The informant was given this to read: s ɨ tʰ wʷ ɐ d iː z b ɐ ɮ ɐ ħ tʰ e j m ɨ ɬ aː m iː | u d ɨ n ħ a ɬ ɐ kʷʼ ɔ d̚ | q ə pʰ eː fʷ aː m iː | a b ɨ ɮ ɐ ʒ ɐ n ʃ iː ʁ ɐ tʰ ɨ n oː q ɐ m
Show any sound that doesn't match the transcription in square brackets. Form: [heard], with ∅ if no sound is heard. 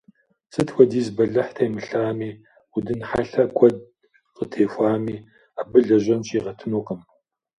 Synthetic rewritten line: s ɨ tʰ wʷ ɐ d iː z b ɐ ɮ ɐ ħ tʰ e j m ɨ ɬ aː m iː | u d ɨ n ħ a ɬ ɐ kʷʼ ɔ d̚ | q ə [tʰ] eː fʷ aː m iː | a b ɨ ɮ ɐ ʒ ɐ n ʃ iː ʁ ɐ tʰ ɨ n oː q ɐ m